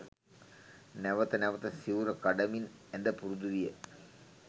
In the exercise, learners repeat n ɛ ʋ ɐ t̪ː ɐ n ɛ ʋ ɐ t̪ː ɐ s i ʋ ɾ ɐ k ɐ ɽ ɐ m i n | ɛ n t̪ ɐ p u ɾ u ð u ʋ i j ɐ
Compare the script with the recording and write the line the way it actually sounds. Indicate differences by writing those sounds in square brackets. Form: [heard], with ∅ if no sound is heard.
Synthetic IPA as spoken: n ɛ ʋ ɐ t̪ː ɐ n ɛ ʋ ɐ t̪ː ɐ s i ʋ ɾ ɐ k ɐ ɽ ɐ m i n | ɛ n [d̪] ɐ p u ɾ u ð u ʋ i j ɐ